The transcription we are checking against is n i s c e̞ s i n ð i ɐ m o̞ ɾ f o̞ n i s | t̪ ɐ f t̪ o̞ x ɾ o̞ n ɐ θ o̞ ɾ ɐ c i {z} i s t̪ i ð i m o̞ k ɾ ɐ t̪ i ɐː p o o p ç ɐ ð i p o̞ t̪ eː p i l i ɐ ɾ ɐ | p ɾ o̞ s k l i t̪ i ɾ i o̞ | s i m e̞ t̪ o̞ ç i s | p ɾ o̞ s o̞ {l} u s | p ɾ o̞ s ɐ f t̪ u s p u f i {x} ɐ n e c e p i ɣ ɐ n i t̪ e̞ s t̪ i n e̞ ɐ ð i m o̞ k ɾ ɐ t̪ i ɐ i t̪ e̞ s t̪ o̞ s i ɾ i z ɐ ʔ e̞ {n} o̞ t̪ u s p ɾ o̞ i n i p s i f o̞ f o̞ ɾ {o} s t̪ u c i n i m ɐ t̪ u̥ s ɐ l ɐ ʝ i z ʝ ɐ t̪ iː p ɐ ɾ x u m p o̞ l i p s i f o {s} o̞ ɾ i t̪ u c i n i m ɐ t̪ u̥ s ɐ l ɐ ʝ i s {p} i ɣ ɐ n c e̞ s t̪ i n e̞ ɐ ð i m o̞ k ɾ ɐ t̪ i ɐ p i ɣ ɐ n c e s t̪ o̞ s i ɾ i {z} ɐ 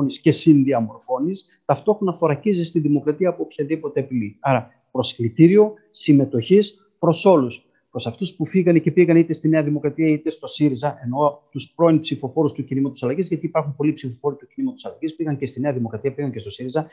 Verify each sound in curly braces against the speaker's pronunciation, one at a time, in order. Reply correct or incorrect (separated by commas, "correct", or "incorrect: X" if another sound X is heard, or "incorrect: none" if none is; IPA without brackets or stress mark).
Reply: correct, correct, incorrect: ɣ, correct, incorrect: u, incorrect: f, correct, correct